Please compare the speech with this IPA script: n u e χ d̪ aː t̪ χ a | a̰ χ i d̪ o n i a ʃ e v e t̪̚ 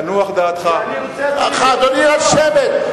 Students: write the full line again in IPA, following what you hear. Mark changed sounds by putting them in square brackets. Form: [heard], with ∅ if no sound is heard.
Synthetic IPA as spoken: n u [a] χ d̪ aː t̪ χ a | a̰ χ [a] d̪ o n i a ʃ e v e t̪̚